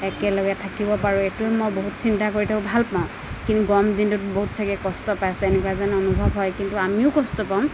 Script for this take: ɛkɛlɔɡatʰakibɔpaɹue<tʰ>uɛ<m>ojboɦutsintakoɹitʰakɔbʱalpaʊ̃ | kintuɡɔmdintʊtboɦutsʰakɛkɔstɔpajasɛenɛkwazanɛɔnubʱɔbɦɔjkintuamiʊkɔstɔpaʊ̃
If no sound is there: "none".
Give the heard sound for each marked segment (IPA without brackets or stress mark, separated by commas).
t, m